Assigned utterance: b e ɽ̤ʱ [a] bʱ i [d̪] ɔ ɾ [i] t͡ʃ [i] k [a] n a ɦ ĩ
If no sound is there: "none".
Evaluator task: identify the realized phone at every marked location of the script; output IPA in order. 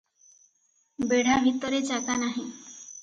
a, t̪, e, a, a

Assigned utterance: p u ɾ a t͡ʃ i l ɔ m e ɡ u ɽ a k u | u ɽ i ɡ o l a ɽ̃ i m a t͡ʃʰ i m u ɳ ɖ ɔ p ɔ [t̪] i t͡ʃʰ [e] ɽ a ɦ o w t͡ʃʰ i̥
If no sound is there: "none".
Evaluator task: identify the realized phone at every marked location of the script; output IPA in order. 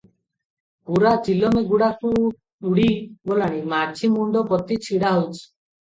t̪, i

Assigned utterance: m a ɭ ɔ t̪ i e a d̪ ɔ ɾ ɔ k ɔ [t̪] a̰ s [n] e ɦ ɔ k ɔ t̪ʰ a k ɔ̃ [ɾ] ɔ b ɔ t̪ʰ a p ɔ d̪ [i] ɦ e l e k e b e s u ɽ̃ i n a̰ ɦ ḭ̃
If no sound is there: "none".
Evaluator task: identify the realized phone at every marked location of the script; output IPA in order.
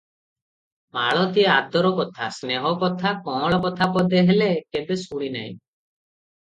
t̪ʰ, n, ɭ, e

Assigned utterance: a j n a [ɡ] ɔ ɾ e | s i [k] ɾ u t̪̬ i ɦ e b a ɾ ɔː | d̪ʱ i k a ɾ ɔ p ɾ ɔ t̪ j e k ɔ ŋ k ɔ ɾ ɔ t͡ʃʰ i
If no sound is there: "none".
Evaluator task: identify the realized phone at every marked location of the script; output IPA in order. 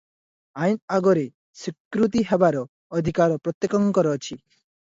ɡ, k

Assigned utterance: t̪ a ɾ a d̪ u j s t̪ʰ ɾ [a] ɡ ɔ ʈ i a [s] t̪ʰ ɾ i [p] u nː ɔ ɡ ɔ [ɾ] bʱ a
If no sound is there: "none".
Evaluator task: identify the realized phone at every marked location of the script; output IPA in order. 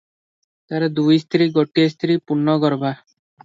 i, s, p, ɾ

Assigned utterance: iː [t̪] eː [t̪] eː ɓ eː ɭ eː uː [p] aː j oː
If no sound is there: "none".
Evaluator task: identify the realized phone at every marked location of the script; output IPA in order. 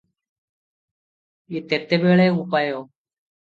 t̪, t̪, p

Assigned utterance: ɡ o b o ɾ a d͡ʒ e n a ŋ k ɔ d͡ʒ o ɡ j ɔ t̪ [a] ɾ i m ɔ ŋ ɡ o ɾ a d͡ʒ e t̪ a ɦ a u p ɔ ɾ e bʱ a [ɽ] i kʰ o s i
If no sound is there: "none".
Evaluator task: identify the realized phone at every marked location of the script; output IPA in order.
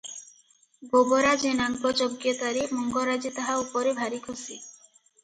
a, ɾ

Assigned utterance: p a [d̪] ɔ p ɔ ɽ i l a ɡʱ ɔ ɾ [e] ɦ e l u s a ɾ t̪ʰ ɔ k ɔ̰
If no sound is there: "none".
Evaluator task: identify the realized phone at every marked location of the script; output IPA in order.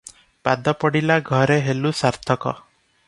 d̪, e

